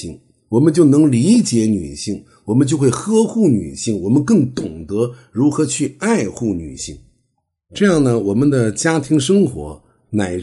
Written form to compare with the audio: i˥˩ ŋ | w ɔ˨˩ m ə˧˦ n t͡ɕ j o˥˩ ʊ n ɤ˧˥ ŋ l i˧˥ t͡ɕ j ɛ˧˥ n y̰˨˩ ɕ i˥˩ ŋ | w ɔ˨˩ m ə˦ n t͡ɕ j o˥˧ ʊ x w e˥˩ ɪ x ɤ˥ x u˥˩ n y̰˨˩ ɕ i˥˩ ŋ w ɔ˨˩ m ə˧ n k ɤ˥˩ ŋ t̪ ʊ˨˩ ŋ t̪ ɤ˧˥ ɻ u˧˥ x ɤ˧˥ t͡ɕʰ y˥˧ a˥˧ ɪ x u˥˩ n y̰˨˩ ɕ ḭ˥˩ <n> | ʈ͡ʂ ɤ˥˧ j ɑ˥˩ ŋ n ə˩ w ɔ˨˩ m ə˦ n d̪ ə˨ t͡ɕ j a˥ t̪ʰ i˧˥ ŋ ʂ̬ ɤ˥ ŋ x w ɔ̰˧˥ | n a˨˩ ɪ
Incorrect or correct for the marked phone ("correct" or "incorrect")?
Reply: incorrect